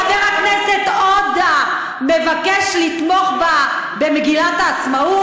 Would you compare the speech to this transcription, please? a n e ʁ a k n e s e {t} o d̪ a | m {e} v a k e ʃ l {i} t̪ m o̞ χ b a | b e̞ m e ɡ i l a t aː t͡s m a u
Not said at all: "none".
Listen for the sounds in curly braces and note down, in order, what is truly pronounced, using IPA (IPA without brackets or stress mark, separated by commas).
t, e, i